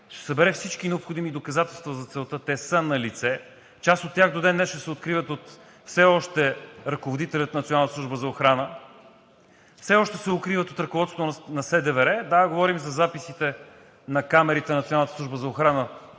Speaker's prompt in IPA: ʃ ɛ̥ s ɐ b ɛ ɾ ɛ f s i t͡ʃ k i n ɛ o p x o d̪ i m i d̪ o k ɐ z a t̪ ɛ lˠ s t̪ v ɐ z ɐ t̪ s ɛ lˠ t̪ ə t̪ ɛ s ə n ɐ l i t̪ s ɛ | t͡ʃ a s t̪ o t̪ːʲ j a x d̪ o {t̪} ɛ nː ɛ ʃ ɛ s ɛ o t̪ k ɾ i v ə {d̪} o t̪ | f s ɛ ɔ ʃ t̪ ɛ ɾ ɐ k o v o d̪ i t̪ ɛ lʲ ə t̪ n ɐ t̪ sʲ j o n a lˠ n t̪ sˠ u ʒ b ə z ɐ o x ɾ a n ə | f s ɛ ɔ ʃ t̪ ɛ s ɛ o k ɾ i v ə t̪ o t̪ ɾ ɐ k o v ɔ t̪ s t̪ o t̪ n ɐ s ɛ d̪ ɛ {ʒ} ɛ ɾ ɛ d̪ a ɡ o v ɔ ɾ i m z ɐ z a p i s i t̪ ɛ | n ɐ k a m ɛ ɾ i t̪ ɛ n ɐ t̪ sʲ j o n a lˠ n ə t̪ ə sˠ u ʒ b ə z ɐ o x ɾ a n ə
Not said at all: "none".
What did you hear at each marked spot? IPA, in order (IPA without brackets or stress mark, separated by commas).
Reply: d̪, t̪, v